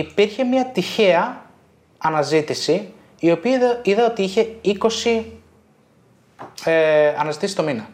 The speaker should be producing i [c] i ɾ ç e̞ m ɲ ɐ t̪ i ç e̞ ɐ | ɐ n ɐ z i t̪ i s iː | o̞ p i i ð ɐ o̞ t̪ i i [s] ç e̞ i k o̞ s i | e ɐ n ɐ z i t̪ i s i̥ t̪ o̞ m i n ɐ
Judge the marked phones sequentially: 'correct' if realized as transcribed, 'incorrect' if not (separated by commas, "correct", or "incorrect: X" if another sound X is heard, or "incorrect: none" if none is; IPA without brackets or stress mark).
incorrect: p, incorrect: none